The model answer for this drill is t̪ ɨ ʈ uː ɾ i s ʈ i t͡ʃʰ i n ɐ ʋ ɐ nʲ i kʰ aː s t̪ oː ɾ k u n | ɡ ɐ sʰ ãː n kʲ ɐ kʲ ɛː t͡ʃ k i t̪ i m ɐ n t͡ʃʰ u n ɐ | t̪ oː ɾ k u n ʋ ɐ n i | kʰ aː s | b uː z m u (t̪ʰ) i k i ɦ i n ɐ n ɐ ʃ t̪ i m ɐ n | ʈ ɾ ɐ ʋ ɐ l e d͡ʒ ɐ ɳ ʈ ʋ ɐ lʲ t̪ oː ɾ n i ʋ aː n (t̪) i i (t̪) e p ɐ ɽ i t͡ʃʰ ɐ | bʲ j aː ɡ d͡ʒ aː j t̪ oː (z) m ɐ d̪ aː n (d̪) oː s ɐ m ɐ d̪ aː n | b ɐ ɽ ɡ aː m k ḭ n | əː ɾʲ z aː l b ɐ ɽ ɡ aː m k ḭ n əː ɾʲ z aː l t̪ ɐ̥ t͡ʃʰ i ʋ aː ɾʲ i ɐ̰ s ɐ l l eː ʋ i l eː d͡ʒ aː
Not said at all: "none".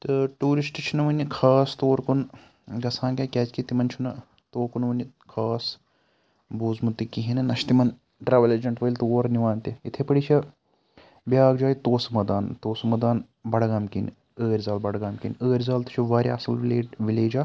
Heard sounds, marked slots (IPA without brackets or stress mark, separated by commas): t̪, t̪, t̪ʰ, s, t̪